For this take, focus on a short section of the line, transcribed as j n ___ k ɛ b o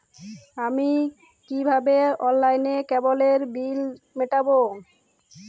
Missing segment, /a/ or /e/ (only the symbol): e